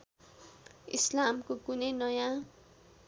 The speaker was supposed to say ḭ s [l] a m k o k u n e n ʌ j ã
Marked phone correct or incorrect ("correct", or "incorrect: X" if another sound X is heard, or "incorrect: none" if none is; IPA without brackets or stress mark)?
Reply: correct